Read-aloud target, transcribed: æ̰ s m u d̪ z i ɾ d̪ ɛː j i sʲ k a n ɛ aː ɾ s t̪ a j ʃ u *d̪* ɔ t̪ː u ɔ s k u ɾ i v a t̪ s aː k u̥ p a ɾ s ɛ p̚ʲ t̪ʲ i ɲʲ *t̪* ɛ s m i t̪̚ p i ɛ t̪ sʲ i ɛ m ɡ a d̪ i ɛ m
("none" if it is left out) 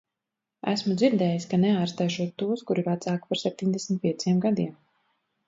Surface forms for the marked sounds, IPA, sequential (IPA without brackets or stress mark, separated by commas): none, d̪